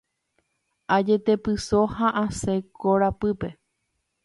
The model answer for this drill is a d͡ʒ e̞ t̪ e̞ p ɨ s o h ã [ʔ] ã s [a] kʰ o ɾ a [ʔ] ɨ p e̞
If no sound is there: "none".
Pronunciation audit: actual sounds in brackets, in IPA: ʔ, e, p

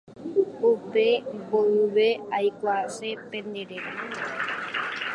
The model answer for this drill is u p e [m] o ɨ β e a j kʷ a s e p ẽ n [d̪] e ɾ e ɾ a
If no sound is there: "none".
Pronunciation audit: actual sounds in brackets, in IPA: b, d̪

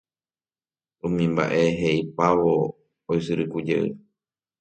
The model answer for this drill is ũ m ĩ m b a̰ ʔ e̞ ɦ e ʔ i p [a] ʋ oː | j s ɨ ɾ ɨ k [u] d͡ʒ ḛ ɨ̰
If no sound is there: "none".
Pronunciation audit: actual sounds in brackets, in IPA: a, u

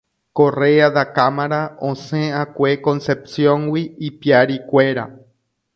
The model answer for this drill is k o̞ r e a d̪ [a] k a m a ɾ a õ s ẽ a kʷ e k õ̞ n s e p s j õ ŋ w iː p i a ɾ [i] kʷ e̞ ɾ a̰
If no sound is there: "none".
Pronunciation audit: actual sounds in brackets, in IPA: a, i

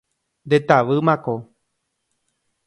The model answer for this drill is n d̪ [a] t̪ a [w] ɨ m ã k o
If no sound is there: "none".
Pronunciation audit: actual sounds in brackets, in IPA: e, ʋ

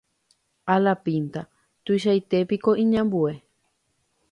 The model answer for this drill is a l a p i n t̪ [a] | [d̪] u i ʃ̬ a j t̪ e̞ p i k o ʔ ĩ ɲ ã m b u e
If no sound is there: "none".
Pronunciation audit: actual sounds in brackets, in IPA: a, t̪

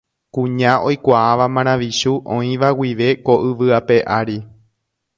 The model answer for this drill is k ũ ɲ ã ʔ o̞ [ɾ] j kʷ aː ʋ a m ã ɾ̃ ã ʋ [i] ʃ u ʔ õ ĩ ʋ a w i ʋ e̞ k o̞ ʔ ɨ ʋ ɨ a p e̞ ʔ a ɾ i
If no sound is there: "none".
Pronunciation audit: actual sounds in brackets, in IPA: none, i

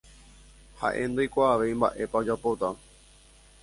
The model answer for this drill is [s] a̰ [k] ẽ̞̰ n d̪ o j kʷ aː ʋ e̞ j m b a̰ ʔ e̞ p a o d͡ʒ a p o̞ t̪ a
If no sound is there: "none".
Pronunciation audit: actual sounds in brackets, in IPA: h, ʔ

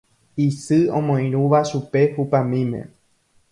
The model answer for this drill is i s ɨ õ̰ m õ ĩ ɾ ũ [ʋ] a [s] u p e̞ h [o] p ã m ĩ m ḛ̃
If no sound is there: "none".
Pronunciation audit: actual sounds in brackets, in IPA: ʋ, ʃ, u

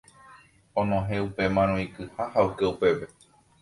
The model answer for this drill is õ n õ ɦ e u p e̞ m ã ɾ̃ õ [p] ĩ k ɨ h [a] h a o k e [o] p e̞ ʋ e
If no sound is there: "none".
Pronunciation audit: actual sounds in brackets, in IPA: none, a, u

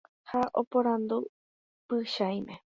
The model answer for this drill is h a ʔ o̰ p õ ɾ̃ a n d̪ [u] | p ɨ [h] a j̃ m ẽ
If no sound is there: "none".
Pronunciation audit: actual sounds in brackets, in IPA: u, ʃ

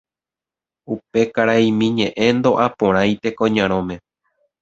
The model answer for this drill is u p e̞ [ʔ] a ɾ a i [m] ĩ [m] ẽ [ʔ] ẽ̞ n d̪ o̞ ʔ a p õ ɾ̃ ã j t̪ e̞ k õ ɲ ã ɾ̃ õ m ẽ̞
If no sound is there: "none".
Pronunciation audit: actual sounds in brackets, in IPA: k, m, ɲ, ʔ

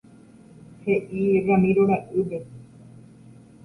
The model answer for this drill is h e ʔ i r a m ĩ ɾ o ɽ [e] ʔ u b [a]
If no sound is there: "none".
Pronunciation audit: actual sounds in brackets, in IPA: a, e

